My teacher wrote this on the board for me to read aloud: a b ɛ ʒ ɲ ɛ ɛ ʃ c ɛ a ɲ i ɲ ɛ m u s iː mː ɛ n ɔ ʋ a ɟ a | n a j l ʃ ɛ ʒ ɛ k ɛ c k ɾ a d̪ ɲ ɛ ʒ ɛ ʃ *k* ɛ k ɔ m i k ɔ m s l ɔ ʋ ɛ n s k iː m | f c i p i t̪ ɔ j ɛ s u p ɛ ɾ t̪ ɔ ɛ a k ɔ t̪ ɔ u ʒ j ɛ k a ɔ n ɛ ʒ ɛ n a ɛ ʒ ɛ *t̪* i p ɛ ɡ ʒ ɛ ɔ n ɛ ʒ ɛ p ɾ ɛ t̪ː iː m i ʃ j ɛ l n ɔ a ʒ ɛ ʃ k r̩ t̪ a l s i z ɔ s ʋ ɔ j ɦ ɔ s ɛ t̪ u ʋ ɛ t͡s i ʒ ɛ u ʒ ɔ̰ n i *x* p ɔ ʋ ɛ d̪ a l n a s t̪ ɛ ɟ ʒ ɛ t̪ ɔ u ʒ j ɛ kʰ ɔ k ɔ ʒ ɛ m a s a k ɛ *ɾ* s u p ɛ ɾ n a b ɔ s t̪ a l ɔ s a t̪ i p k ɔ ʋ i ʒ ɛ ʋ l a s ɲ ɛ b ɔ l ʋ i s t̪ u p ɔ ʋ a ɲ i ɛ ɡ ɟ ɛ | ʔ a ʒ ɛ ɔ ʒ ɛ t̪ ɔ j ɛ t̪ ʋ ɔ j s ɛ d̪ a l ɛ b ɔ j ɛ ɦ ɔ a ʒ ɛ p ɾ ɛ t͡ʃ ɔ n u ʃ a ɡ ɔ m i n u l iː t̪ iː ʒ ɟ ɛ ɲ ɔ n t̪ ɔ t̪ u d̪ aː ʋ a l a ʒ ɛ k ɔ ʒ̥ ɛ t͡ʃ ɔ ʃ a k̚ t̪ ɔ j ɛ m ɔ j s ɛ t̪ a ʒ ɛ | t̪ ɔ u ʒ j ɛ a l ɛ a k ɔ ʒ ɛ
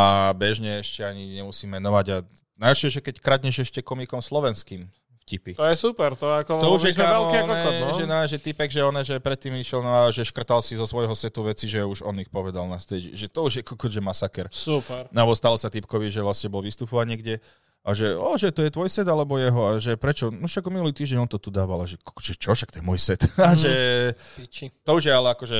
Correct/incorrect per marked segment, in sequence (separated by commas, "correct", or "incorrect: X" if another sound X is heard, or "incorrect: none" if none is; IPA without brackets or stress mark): incorrect: c, correct, correct, correct